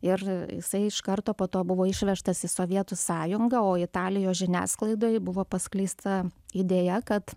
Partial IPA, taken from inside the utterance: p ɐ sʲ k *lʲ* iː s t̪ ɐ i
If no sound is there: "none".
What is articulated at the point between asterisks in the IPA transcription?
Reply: lʲ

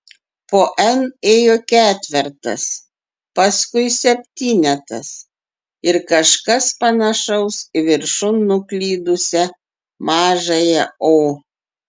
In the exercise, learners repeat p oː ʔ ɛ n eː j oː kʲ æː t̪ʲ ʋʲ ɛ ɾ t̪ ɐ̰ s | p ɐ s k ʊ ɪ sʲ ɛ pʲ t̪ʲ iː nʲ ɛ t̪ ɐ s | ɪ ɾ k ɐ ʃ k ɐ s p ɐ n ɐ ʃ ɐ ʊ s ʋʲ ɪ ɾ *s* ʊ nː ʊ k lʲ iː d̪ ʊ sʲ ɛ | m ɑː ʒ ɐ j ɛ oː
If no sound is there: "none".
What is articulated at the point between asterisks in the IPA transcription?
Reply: ʃ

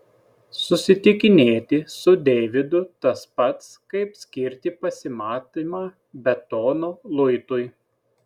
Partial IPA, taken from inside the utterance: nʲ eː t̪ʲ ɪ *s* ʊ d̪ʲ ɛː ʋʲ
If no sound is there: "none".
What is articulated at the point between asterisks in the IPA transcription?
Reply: s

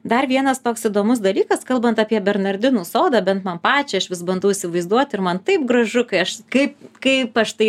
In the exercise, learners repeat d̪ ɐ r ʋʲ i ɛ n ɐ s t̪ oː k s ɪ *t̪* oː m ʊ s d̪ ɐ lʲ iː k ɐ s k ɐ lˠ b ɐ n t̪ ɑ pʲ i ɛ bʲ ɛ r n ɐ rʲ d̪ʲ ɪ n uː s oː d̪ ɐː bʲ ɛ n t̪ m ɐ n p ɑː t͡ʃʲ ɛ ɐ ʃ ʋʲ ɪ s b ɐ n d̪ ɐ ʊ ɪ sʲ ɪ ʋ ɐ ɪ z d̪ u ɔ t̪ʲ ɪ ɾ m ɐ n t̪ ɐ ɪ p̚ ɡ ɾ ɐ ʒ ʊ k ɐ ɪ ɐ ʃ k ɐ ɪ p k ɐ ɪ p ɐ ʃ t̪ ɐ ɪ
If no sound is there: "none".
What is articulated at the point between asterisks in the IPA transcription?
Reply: d̪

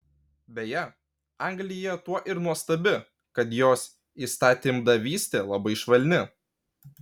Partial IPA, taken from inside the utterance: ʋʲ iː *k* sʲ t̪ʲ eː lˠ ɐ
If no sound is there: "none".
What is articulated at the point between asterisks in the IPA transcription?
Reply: none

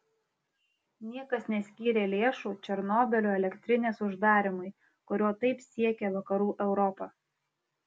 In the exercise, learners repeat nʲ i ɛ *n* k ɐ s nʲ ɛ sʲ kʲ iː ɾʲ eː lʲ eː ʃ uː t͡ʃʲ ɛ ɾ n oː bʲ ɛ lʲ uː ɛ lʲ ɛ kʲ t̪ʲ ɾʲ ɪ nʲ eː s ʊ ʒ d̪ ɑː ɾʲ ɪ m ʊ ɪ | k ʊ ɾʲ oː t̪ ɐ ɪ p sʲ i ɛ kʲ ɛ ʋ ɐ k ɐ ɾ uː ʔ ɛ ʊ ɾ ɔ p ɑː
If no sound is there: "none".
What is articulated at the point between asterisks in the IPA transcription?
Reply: none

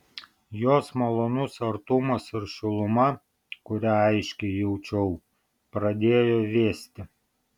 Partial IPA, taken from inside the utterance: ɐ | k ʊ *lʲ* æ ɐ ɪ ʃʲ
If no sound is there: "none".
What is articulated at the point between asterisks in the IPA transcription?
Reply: ɾʲ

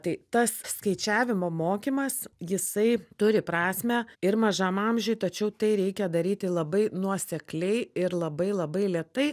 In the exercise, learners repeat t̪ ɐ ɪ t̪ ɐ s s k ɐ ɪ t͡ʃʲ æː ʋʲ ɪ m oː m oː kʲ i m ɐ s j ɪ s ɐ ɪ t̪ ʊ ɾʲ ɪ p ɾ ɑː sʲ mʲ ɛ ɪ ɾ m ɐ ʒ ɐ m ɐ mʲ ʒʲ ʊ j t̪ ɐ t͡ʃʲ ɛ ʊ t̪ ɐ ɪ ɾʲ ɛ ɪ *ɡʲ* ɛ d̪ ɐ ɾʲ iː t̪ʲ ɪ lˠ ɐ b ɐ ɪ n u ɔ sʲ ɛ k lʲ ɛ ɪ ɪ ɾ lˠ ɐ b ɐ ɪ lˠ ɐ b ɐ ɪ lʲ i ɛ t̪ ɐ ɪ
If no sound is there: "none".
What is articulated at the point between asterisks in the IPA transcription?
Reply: kʲ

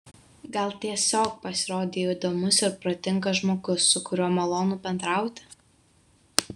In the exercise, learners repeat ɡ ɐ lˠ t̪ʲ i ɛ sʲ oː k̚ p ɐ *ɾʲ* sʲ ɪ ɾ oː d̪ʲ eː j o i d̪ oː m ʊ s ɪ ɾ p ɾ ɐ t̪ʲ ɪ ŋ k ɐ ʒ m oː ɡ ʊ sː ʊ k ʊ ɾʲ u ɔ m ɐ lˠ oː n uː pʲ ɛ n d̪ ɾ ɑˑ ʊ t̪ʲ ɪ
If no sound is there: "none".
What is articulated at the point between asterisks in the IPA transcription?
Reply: none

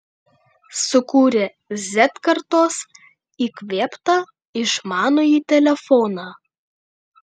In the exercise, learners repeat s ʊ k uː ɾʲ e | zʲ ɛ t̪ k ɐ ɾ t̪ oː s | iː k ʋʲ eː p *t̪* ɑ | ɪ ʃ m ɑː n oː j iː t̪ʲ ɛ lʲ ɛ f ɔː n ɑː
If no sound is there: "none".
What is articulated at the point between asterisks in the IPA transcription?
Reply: t̪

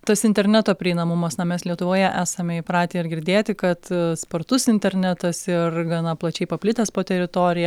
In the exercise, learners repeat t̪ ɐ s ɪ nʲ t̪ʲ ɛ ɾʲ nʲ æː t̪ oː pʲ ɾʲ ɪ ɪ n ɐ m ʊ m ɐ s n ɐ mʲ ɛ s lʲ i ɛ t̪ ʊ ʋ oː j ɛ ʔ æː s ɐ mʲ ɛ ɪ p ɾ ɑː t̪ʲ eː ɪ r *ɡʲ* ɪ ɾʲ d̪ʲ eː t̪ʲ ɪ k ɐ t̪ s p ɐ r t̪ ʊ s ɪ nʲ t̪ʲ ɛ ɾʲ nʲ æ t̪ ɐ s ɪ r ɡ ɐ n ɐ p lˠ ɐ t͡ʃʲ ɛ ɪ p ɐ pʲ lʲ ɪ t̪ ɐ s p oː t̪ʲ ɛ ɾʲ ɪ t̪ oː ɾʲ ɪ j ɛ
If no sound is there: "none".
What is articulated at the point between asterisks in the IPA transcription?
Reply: ɡʲ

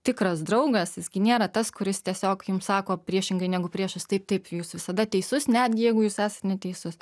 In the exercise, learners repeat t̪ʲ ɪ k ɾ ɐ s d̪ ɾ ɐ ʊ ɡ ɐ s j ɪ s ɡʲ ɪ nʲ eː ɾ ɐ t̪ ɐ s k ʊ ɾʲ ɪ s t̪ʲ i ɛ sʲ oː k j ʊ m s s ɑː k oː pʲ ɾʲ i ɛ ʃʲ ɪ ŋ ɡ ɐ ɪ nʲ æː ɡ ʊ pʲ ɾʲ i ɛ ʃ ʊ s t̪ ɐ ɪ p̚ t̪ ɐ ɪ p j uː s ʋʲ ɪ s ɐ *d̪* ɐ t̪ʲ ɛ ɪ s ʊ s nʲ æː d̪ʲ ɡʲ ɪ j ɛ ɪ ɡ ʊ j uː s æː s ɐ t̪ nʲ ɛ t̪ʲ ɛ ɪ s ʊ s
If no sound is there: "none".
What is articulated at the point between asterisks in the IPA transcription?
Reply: d̪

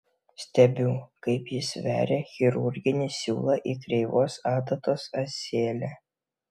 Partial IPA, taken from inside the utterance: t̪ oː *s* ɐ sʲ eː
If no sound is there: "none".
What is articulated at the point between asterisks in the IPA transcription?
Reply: s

